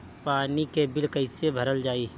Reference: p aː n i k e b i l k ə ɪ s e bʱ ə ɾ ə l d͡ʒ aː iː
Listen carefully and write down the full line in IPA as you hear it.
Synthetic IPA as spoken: p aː n i k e b ɪ l k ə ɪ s e bʱ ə ɾ ə l d͡ʒ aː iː